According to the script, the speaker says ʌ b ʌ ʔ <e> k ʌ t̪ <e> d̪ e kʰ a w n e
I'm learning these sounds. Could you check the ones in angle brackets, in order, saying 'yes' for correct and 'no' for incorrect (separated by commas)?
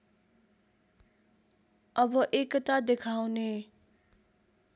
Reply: yes, no